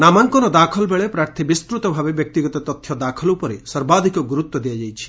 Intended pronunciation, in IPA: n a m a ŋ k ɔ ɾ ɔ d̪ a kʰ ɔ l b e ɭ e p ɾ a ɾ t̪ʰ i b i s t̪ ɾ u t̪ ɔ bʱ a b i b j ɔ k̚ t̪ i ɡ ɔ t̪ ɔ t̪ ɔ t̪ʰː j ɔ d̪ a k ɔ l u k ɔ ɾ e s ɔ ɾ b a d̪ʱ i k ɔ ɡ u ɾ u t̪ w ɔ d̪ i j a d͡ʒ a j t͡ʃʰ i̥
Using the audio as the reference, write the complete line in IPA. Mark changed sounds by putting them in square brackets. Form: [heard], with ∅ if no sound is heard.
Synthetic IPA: n a m a ŋ k ɔ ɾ ɔ d̪ a kʰ ɔ l b e ɭ e p ɾ a ɾ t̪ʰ i b i s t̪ ɾ u t̪ ɔ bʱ a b [e] b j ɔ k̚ t̪ i ɡ ɔ t̪ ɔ t̪ ɔ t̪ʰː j ɔ d̪ a [kʰ] ɔ l u [p] ɔ ɾ e s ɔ ɾ b a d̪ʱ i k ɔ ɡ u ɾ u t̪ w ɔ d̪ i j a d͡ʒ a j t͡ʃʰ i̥